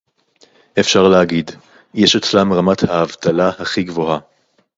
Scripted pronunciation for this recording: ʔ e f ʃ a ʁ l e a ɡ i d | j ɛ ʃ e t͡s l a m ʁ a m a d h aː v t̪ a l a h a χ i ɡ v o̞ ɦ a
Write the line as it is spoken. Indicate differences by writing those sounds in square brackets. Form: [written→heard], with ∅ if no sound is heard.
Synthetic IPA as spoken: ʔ e f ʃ a ʁ l e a ɡ i d | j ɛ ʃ e t͡s l a m ʁ a m a [d→t] h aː v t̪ a l a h a χ i ɡ v o̞ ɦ a